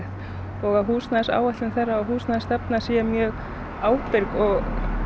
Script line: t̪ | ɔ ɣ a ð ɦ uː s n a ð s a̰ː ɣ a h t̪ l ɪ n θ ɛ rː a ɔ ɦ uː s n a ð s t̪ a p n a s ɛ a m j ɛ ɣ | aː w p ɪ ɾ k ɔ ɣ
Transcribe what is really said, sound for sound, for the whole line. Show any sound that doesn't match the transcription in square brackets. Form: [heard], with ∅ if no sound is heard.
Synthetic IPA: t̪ | ɔ ɣ a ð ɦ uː s n a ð s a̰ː [w] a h t̪ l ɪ n θ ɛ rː a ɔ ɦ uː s n a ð s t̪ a p n a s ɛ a m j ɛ ɣ | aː w p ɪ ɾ k ɔ ɣ

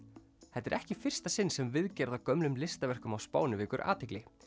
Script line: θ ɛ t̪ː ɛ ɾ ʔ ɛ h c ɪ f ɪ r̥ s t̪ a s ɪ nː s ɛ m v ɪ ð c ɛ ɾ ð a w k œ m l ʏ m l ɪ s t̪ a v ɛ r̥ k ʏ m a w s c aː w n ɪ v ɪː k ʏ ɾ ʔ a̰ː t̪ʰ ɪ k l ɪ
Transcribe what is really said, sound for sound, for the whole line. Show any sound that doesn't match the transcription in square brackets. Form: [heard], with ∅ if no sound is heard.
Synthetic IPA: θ ɛ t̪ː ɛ ɾ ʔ ɛ h c ɪ f ɪ r̥ s t̪ a s ɪ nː s ɛ m v ɪ ð c ɛ ɾ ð a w k œ m l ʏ m l ɪ s t̪ a v ɛ r̥ k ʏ m a w s [p] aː w n ɪ v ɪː k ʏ ɾ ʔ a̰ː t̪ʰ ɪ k l ɪ

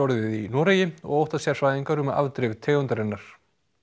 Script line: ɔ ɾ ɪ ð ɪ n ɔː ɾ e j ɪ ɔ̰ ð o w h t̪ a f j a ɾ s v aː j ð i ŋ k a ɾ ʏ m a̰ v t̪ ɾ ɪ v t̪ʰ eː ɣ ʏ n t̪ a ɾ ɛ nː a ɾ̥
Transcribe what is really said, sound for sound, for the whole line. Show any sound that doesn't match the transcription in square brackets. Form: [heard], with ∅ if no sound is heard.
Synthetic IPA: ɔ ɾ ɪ ð [i] n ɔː ɾ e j ɪ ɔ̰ [ɣ] o w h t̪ a [s] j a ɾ s v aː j ð i ŋ k a ɾ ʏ m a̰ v t̪ ɾ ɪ v t̪ʰ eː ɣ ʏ n t̪ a ɾ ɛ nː a ɾ̥

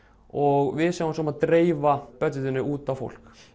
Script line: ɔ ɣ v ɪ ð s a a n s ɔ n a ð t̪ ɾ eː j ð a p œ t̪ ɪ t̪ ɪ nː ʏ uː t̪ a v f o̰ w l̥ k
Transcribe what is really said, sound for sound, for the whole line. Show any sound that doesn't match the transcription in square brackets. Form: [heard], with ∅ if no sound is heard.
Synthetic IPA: ɔ ɣ v ɪ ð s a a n s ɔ [m] a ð t̪ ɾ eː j [v] a p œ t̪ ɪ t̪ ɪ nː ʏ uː t̪ a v f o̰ w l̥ k

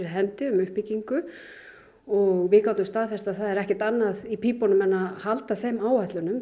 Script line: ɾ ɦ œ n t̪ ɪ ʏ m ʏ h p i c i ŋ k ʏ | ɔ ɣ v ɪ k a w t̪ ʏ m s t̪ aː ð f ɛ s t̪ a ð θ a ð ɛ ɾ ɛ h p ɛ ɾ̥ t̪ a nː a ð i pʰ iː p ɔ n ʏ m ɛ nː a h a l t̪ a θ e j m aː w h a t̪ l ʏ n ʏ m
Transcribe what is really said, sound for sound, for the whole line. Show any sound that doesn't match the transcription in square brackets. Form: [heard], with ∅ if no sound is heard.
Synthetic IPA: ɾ ɦ [ɛ] n t̪ ɪ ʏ m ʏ h p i c i ŋ k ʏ | ɔ ɣ v ɪ k a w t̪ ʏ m s t̪ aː ð f ɛ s t̪ a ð θ a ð ɛ ɾ ɛ h [c] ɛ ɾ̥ t̪ a nː a ð i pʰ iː p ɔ n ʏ m ɛ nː a h a l t̪ a θ e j m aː w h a t̪ l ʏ n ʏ m

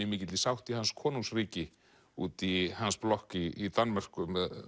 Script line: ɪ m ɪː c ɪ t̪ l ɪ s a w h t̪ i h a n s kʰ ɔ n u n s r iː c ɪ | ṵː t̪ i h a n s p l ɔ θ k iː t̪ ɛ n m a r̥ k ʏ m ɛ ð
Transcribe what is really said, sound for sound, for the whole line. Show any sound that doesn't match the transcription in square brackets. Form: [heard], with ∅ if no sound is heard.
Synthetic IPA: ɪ m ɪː c ɪ t̪ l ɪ s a w h t̪ i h a n s kʰ [ɔː] n u [ŋ] s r iː c ɪ | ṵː t̪ i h a n s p l ɔ [h] k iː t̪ [a] n m a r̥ k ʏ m ɛ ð

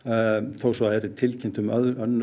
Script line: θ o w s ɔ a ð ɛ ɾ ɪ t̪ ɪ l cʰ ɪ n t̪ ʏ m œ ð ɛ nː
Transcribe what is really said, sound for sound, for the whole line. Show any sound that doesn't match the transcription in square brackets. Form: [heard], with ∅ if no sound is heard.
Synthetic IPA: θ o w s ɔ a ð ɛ ɾ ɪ [t̪ʰ] ɪ l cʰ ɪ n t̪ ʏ m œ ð [œ] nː

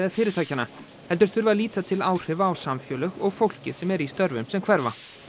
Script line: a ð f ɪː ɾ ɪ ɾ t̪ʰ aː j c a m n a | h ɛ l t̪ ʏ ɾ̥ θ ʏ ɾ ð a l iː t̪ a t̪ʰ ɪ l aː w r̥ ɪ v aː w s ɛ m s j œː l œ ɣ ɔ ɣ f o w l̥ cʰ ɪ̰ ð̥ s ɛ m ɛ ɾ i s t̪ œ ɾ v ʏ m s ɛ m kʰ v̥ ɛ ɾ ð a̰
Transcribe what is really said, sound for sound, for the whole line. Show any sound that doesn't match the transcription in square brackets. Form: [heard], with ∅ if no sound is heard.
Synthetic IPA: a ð f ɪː ɾ ɪ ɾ t̪ʰ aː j c a [∅] n a | h ɛ l t̪ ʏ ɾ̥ θ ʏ ɾ [v] a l iː t̪ a t̪ʰ ɪ l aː w r̥ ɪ v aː w s [a] m [f] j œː l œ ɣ ɔ ɣ f o w l̥ [c] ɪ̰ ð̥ s ɛ m ɛ ɾ i s t̪ œ ɾ v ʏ m s ɛ m kʰ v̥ ɛ ɾ [v] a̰

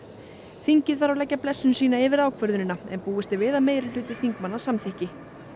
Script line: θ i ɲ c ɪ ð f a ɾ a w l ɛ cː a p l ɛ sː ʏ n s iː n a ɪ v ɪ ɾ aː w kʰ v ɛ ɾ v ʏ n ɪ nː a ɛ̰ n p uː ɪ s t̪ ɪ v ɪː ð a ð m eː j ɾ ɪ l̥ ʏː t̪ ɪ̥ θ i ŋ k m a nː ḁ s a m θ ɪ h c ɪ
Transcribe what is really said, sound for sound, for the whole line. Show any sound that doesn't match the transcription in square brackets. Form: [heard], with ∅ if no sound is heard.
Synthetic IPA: θ i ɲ c ɪ ð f a ɾ a w l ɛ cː a p l ɛ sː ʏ n s iː n a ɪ v ɪ ɾ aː w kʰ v [œ] ɾ [ð] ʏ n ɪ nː a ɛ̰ n p uː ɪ s t̪ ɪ v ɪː ð a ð m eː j ɾ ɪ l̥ ʏː t̪ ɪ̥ θ i ŋ k m a nː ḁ s a m θ ɪ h c ɪ

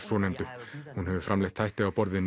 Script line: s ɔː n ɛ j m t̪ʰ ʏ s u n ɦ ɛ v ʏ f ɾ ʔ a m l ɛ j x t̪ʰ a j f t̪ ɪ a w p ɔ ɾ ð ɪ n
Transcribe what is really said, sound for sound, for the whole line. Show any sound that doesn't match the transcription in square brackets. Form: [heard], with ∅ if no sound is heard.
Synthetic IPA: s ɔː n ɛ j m [t̪] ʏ [h] u n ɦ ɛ v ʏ f ɾ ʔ a m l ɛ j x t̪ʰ a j [h] t̪ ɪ a w p ɔ ɾ ð ɪ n

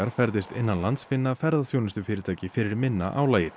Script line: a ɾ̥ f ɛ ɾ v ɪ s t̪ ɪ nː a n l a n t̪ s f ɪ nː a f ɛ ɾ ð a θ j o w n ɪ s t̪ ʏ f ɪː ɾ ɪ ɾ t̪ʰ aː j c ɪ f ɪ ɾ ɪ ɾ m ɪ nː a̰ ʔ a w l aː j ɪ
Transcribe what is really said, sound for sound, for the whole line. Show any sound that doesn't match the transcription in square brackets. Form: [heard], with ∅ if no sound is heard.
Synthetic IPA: a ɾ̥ f ɛ ɾ [ð] ɪ s t̪ ɪ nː a n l a n t̪ s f ɪ nː a f ɛ ɾ ð a θ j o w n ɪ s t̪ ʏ f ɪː ɾ ɪ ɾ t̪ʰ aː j c ɪ f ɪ ɾ ɪ ɾ m ɪ nː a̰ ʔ a w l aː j ɪ

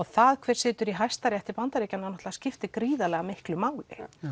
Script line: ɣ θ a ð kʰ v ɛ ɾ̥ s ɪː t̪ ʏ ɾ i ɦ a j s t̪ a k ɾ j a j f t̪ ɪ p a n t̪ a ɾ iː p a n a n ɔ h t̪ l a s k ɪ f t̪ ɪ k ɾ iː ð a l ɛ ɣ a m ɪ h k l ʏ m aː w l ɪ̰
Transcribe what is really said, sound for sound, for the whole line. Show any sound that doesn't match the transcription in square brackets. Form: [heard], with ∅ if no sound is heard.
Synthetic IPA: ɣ θ a ð kʰ v ɛ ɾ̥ s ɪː t̪ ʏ ɾ i ɦ a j s t̪ a [∅] ɾ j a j [h] t̪ ɪ p a n t̪ a ɾ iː [c] a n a n ɔ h t̪ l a s [c] ɪ f t̪ ɪ k ɾ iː ð a l ɛ ɣ a m ɪ h k l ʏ m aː w l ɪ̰

